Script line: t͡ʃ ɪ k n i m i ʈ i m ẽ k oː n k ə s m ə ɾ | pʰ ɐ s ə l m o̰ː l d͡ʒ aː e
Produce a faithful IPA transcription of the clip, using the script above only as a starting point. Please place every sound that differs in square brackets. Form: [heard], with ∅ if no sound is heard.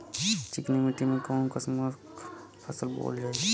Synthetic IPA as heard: t͡ʃ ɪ k n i m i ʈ i m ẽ k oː n k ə s m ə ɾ | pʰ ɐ s ə l [b] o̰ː l d͡ʒ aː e